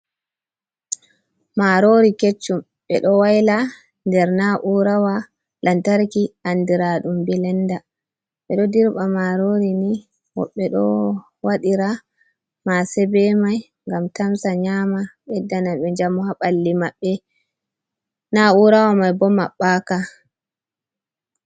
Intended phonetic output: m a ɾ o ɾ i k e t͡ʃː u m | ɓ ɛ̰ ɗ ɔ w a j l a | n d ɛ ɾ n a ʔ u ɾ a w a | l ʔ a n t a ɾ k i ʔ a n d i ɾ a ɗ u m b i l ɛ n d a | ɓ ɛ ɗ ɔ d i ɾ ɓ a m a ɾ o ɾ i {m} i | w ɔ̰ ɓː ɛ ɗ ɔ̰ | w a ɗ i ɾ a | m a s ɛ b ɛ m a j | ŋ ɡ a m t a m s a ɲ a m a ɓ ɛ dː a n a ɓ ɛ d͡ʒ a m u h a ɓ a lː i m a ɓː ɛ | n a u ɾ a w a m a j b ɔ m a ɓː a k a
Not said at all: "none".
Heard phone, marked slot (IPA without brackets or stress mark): n